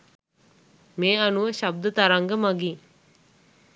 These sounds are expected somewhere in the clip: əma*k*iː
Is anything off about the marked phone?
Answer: yes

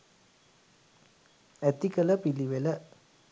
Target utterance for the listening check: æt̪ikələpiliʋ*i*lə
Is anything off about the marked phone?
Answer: yes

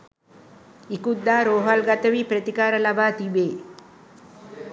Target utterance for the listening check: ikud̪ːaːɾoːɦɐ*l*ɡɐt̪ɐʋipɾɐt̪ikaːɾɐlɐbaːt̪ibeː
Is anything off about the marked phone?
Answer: no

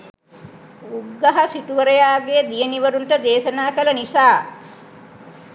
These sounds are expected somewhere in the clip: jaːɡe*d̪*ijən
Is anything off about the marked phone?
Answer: no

